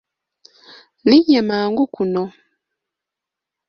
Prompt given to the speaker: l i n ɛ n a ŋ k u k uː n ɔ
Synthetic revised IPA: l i ɲ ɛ m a ŋ ɡ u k u n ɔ